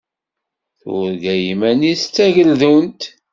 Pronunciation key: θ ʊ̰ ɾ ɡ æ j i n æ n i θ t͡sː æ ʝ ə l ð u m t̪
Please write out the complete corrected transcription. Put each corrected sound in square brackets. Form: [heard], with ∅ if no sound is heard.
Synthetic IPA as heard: θ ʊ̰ ɾ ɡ æ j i [m] æ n i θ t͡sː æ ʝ ə l ð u [n] t̪